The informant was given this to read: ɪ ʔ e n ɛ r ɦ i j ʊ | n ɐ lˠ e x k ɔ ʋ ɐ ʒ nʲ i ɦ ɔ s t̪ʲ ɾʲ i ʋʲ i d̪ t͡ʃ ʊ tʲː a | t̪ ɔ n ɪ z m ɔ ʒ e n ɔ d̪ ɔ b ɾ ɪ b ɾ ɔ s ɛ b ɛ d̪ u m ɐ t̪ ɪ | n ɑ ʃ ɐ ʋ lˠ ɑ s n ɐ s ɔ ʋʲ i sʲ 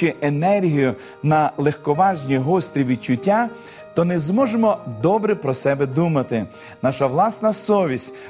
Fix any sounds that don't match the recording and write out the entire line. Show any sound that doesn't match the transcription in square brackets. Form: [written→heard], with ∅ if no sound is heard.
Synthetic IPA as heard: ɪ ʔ e n ɛ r ɦ i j ʊ | n ɐ lˠ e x k ɔ ʋ [ɐ→ɑ] ʒ nʲ i ɦ ɔ s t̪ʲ ɾʲ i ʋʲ i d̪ t͡ʃ ʊ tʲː a | t̪ ɔ n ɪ z m ɔ ʒ e [n→m] ɔ d̪ ɔ b ɾ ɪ [b→p] ɾ ɔ s ɛ b ɛ d̪ u m ɐ t̪ ɪ | n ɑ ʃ ɐ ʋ lˠ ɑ s n ɐ s ɔ ʋʲ i sʲ